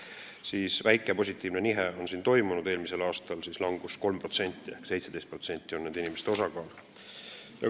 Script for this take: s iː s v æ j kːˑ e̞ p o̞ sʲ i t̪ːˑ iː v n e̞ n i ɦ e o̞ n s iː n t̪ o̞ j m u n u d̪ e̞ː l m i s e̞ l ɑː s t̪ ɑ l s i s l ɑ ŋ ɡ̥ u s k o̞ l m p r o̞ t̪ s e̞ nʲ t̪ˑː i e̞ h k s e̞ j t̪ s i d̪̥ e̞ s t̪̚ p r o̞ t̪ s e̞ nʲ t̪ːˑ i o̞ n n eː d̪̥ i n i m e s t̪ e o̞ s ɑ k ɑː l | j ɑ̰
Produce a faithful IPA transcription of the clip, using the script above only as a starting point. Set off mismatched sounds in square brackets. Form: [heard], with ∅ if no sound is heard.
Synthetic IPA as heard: s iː s v æ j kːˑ e̞ p o̞ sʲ i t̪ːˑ iː v n e̞ n i ɦ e o̞ n s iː n t̪ o̞ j m u n u d̪ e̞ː l m i s e̞ l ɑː s t̪ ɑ l s i s l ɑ ŋ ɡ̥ u s k o̞ l m p r o̞ t̪ s e̞ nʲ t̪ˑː i e̞ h k s e̞ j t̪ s [e] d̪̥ e̞ s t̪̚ p r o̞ t̪ s e̞ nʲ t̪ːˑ i o̞ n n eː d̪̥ i n i m e s t̪ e o̞ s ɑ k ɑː l | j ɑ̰